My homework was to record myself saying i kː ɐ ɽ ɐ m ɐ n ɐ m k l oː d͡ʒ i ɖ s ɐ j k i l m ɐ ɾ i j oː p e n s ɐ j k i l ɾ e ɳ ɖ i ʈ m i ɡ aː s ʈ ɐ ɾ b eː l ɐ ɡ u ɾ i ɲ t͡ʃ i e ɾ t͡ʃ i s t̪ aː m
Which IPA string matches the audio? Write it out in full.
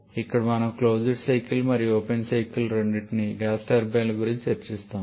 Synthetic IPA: i kː ɐ ɽ ɐ m ɐ n ɐ m k l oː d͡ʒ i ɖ s ɐ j k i l m ɐ ɾ i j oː p e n s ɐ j k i l ɾ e ɳ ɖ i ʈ n i ɡ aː s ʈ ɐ ɾ b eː l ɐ ɡ u ɾ i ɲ t͡ʃ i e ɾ t͡ʃ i s t̪ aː m